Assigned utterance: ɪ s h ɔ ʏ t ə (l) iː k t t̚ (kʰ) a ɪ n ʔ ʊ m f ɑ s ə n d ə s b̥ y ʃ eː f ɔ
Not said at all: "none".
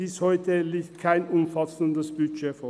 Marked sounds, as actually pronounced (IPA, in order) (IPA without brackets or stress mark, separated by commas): l, kʰ